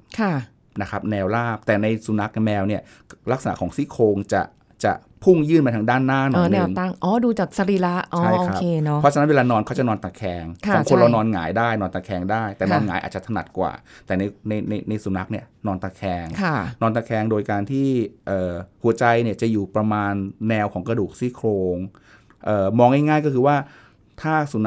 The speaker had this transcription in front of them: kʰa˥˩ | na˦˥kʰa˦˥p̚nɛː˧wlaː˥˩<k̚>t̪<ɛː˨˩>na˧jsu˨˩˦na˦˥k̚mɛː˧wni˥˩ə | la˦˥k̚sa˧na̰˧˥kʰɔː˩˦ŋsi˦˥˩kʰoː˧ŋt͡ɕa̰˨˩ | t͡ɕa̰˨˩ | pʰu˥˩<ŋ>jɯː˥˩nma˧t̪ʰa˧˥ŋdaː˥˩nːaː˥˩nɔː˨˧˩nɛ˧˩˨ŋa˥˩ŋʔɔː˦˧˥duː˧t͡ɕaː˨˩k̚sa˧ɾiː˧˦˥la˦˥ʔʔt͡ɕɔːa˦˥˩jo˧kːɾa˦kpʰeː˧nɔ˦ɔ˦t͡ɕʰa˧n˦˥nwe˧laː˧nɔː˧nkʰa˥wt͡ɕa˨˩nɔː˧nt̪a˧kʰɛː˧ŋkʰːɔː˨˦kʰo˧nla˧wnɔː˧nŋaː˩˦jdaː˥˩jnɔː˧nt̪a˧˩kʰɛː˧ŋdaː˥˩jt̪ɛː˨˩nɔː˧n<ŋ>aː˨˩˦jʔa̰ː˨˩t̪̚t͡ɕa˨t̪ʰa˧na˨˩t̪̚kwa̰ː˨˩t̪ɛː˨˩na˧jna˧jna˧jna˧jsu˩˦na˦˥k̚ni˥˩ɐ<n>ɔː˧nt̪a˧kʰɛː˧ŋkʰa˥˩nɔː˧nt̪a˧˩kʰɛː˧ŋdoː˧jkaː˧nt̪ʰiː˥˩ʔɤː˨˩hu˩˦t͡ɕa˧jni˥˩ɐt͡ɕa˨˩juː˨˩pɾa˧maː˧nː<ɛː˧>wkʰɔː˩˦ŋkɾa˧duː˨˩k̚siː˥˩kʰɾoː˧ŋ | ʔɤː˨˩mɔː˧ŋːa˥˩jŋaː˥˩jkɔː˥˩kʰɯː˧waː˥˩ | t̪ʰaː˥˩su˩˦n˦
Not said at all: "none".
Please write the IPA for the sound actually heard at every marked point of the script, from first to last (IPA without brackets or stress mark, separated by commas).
p̚, ɛː˨˩, ŋ, ŋ, n, ɛː˧